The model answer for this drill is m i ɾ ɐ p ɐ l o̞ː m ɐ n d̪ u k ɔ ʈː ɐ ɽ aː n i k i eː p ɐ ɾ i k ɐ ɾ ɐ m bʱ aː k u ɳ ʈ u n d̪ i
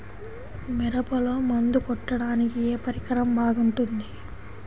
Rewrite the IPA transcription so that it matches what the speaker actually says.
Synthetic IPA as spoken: m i ɾ ɐ p ɐ l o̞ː m ɐ n d̪ u k ɔ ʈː ɐ ɽ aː n i k i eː p ɐ ɾ i k ɐ ɾ ɐ m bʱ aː ɡ u ɳ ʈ u n d̪ i